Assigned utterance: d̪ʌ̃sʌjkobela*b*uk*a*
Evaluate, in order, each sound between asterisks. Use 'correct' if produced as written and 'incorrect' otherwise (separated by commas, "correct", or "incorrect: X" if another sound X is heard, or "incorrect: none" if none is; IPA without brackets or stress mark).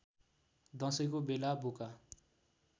correct, correct